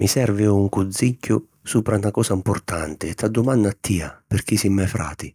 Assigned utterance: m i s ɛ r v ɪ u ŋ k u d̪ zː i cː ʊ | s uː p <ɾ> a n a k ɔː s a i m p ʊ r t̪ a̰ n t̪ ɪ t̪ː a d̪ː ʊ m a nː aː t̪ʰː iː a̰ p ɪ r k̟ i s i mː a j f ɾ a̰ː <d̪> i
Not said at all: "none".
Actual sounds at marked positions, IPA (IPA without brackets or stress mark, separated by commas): ɾ, t̪